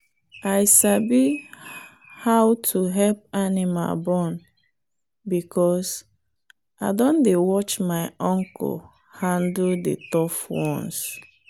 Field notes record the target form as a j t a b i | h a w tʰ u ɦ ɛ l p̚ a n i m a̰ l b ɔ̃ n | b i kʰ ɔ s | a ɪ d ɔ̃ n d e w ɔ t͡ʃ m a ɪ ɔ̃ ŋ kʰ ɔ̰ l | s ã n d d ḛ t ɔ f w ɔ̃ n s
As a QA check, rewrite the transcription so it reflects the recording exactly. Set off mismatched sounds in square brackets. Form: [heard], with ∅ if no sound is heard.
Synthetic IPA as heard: a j [s] a b i | h a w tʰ u ɦ ɛ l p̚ a n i m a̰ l b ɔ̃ n | b i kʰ ɔ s | a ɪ d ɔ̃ n d e w ɔ t͡ʃ m a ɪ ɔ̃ ŋ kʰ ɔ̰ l | [h] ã n d d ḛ t ɔ f w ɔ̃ n s